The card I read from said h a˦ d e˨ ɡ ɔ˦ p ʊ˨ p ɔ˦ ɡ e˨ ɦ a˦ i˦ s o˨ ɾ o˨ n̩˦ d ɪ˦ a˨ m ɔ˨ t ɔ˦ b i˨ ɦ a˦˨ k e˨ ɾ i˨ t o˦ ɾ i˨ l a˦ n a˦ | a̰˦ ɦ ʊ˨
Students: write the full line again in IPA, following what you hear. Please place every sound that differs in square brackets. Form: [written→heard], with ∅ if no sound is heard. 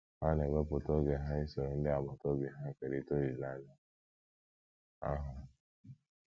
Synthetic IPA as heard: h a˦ [d→n] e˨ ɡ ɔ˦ p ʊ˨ [p→t] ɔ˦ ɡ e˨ ɦ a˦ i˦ s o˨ ɾ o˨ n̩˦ d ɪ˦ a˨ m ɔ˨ t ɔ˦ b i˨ ɦ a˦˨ k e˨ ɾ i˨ t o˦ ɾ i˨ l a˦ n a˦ | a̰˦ ɦ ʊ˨